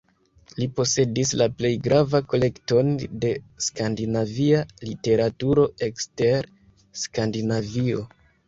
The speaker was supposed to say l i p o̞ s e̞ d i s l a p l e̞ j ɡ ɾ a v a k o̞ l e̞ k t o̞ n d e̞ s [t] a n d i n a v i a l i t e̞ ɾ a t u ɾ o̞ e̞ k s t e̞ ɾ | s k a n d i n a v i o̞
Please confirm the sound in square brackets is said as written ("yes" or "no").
no